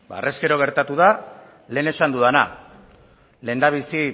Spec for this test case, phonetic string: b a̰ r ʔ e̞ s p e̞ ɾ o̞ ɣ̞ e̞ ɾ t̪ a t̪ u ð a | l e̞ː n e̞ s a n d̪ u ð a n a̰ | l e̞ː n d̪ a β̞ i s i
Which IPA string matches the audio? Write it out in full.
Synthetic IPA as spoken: b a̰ r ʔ e̞ s k e̞ ɾ o̞ ɣ̞ e̞ ɾ t̪ a t̪ u ð a | l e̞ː n e̞ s a n d̪ u ð a n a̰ | l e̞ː n d̪ a β̞ i s i